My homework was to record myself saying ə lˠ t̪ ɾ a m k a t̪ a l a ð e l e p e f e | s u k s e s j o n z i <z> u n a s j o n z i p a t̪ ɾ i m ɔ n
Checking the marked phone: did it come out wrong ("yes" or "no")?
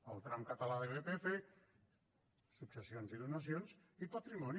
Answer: yes